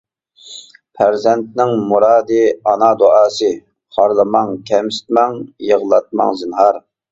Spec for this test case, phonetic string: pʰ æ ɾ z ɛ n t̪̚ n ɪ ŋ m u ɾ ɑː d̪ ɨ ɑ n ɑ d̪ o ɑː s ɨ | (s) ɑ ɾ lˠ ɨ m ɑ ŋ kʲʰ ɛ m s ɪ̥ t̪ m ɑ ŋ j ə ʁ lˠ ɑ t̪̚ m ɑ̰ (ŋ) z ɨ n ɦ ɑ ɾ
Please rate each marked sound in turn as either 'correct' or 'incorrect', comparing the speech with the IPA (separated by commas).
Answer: incorrect, correct